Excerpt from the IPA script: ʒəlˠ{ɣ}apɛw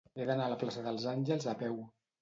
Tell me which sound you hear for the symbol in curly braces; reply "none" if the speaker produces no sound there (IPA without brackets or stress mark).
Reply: z